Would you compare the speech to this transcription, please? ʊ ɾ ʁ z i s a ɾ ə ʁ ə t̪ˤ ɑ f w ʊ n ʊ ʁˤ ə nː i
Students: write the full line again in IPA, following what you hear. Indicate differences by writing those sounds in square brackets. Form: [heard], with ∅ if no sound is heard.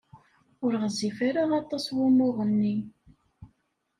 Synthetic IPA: ʊ ɾ ʁ z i [f] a ɾ [a] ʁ [ɑ] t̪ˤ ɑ [s] w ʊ [m] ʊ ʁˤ ə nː i

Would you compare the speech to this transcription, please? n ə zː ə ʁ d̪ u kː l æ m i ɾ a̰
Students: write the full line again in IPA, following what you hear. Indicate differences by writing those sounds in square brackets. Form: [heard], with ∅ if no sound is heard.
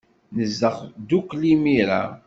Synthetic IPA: n ə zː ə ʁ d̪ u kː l [i] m i ɾ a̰

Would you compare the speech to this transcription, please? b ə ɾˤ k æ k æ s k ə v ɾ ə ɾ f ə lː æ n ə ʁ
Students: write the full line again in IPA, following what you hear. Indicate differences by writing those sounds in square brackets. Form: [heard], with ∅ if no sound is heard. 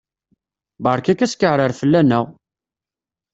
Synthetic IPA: b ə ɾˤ k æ k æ s k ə [ʕ] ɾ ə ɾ f ə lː æ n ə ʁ

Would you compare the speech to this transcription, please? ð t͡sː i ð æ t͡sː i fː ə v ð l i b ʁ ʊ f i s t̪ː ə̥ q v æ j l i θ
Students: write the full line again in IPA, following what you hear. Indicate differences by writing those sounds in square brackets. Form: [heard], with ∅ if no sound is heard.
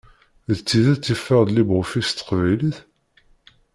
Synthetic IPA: ð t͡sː i ð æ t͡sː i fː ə [ʁ] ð l i b ʁ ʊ f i s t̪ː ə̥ q v æ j l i θ

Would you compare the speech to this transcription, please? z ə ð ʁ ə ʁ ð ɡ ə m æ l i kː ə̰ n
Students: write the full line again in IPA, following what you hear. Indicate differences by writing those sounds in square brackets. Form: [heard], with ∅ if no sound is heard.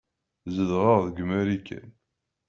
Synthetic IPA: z ə ð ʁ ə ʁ ð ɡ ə m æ [ɾ] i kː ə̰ n

